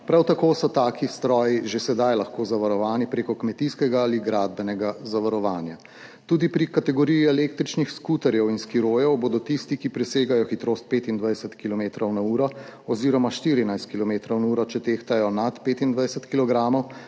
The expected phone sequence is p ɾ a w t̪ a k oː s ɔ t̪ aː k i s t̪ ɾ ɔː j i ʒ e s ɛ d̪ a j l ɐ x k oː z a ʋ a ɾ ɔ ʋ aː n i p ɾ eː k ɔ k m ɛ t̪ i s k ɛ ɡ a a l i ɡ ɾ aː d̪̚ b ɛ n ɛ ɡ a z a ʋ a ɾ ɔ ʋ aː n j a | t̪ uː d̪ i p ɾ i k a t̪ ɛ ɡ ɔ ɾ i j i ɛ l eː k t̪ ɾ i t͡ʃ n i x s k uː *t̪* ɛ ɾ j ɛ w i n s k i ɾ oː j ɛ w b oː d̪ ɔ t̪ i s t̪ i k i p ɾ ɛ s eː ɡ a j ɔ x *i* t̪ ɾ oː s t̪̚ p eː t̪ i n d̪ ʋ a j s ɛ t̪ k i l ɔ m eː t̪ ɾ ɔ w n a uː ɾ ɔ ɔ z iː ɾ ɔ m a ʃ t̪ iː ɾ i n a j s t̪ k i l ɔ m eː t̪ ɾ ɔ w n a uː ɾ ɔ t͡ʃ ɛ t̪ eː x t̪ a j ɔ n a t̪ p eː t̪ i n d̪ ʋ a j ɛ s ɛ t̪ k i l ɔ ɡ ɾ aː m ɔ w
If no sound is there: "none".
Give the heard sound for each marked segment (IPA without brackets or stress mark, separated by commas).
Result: t̪, i